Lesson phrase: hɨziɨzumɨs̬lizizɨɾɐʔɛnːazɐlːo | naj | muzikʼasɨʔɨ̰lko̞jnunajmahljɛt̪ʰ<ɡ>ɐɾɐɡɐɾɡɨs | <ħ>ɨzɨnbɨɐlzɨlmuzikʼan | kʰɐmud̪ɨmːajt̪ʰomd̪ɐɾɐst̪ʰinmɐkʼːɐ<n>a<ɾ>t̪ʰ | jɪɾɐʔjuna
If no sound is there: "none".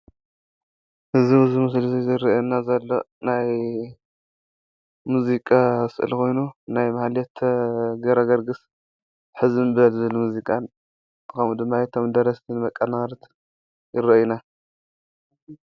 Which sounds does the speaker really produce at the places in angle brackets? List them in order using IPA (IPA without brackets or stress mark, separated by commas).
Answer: ɡ, ħ, n, ɾ